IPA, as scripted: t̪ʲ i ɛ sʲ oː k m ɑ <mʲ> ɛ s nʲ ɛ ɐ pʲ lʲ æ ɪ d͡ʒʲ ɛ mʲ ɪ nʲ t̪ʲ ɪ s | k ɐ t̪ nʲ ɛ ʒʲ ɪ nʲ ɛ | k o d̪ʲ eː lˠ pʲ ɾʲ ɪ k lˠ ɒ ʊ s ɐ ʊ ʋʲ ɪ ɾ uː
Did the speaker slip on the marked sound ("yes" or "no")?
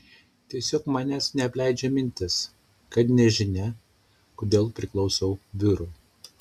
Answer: yes